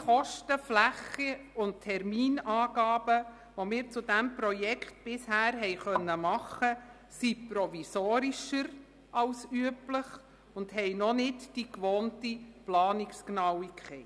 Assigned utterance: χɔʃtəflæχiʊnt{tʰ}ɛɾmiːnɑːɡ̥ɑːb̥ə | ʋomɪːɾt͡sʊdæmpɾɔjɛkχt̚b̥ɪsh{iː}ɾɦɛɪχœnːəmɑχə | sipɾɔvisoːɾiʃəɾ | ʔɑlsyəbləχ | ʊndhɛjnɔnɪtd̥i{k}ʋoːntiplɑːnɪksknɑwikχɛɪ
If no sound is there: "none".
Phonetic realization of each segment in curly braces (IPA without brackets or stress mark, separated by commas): tʰ, æː, k